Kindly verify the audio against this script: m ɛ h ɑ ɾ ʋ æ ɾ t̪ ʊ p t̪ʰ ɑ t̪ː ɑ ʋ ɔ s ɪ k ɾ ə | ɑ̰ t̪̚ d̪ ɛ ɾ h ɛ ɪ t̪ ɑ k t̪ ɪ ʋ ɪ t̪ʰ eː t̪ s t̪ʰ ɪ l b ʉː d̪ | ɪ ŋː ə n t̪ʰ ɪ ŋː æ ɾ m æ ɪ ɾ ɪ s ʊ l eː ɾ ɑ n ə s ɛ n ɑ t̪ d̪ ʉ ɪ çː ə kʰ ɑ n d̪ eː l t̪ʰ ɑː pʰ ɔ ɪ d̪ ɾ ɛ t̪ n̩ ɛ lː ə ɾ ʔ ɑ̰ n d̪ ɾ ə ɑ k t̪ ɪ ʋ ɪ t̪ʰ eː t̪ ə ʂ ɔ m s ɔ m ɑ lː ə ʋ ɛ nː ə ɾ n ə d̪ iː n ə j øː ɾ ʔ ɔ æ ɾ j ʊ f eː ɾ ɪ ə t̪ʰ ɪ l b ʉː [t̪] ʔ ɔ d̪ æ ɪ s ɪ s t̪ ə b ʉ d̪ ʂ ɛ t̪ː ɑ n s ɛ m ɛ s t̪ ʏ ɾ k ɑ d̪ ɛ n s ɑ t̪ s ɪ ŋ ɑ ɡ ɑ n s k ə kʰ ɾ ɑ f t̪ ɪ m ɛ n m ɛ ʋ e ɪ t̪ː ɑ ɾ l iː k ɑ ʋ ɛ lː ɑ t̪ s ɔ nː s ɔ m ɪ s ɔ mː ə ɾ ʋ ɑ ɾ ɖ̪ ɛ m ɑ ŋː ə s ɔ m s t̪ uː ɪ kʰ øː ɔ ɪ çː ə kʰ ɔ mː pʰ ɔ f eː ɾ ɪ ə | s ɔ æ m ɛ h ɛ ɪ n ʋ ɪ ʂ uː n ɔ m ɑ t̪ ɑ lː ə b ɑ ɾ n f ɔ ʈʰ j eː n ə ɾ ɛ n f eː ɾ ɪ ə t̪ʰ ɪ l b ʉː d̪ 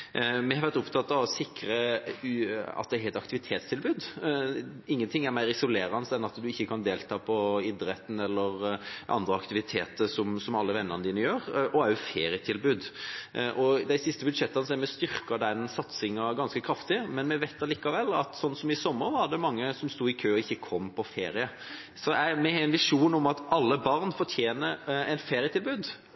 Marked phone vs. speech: incorrect: d̪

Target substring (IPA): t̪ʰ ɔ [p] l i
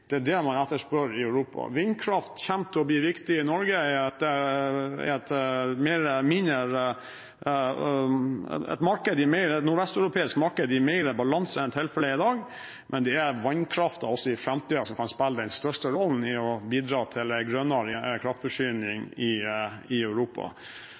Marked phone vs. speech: incorrect: b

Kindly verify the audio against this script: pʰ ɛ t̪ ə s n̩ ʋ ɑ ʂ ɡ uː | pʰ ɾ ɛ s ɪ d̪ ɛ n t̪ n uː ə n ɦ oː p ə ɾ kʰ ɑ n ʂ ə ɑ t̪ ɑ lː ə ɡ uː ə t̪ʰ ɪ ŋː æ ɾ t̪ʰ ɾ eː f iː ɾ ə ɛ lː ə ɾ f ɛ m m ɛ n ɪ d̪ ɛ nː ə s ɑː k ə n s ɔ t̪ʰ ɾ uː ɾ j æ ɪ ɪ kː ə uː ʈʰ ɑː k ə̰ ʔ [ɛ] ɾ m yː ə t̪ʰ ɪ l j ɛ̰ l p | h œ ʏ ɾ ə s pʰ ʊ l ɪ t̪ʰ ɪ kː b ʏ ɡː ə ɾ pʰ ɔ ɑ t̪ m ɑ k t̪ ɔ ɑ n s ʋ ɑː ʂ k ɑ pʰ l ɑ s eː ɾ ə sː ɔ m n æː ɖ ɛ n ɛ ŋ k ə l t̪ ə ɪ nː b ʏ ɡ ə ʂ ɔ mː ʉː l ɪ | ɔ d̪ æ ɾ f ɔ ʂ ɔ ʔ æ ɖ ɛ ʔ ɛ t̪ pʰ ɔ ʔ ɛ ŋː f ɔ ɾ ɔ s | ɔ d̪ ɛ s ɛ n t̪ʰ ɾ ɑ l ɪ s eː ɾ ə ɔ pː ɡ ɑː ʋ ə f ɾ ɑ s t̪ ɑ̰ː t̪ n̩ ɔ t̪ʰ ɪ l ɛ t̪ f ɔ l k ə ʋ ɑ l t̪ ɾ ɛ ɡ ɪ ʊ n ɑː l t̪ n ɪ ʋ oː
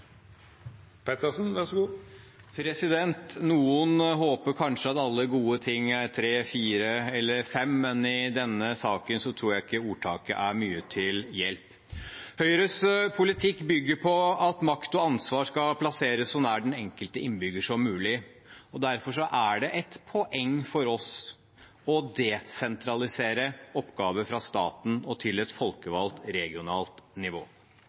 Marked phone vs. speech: incorrect: æ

